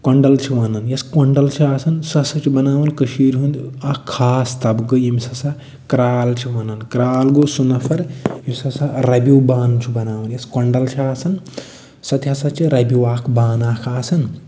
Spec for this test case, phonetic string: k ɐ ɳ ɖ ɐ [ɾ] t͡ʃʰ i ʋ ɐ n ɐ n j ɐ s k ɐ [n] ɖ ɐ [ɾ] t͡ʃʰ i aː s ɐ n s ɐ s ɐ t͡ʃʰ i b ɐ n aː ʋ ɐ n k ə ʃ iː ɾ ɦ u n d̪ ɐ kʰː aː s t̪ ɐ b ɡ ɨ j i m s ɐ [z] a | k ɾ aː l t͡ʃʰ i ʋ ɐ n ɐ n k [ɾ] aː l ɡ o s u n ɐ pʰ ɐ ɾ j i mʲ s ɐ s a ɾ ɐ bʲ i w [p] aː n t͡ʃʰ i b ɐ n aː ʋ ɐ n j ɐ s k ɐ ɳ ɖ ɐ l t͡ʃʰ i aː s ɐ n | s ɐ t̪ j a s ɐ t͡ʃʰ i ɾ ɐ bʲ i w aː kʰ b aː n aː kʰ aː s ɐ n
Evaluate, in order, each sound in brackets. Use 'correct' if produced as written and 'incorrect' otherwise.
incorrect: l, incorrect: ɳ, incorrect: l, incorrect: s, correct, incorrect: b

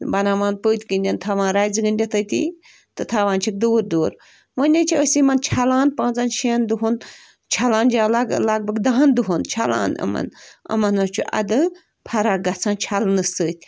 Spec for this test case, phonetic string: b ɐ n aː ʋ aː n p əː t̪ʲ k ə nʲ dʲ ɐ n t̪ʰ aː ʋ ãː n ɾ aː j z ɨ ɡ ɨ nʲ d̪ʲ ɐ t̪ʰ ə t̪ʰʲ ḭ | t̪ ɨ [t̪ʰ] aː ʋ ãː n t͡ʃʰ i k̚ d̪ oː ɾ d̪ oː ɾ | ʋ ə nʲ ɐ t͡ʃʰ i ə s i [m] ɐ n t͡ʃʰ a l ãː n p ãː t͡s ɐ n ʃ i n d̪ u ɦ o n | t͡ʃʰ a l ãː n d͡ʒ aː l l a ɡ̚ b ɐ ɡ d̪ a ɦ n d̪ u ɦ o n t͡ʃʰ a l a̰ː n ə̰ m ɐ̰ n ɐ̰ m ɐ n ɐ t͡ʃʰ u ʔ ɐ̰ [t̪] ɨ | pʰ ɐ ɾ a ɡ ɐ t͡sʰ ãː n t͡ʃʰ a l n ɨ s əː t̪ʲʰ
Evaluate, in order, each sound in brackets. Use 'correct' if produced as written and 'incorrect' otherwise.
correct, correct, incorrect: d̪

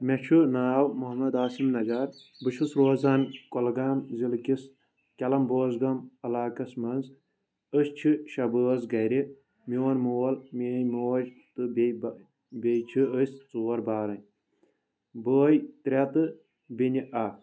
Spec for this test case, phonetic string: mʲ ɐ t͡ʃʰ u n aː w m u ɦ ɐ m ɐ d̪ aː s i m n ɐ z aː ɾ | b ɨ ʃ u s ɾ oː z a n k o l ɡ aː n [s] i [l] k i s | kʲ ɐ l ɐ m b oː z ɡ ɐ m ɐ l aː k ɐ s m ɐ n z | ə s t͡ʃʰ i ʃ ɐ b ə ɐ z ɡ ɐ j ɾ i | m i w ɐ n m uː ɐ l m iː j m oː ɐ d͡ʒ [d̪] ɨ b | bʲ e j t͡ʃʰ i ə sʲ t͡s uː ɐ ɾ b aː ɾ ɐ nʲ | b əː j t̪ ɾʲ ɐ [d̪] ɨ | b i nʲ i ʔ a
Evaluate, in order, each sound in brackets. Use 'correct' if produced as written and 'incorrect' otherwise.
incorrect: z, correct, incorrect: t̪, incorrect: t̪

